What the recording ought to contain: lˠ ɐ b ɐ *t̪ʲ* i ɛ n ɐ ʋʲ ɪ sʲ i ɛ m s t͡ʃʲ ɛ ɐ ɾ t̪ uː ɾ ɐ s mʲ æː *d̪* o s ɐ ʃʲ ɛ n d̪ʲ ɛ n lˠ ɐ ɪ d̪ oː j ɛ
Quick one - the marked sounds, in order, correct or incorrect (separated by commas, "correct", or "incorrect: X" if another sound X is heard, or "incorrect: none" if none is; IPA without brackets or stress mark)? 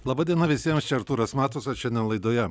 incorrect: d̪ʲ, incorrect: t̪